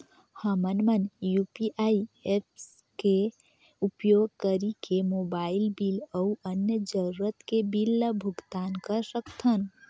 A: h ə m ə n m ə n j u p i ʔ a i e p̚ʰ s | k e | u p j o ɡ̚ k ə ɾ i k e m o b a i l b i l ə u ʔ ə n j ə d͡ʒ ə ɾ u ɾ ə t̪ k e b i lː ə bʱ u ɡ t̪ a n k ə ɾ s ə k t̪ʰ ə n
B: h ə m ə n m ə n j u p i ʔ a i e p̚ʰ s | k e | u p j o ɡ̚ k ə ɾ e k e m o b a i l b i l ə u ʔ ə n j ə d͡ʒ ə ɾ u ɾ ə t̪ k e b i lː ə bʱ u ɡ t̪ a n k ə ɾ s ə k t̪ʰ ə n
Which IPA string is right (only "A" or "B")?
A